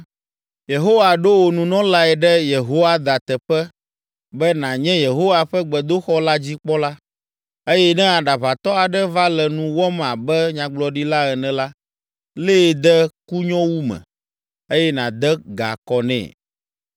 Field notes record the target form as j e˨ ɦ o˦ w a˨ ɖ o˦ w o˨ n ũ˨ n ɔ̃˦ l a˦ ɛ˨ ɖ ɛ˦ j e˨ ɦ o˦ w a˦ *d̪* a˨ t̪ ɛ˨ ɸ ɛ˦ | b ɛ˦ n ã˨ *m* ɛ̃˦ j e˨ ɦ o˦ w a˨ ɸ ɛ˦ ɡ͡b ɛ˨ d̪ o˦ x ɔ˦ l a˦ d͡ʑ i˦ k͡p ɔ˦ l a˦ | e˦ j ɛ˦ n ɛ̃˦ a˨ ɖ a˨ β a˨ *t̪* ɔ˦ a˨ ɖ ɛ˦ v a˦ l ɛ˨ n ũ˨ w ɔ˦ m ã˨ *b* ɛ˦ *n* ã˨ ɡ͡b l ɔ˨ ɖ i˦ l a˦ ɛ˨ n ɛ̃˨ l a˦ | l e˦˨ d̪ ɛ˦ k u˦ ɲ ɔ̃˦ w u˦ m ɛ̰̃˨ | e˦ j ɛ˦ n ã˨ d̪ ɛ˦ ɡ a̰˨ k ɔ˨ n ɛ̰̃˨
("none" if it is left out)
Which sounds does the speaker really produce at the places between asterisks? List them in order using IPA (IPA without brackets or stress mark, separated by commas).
d̪, ɲ, t̪, b, ɲ